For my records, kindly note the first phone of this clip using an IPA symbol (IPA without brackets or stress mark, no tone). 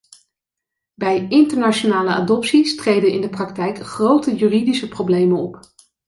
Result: b